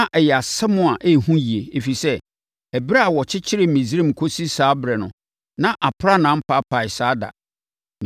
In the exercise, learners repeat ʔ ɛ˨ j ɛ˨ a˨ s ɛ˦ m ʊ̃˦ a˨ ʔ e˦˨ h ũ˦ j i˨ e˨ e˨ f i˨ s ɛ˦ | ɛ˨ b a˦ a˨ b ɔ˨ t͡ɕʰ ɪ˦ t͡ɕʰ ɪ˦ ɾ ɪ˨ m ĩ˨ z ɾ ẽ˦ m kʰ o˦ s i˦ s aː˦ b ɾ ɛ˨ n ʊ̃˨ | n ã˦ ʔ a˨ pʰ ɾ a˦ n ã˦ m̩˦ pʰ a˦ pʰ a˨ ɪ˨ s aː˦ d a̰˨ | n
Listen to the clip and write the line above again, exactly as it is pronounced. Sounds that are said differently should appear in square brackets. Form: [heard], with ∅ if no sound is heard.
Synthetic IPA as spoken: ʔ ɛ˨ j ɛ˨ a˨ s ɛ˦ m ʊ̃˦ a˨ ʔ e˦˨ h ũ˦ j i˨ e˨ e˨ f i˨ s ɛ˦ | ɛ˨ b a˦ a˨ [w] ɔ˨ t͡ɕʰ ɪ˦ t͡ɕʰ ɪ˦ ɾ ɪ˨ m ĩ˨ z ɾ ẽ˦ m kʰ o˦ s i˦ s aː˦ b ɾ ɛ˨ n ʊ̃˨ | n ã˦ ʔ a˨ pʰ ɾ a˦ n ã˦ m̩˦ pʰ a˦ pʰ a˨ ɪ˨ s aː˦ d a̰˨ | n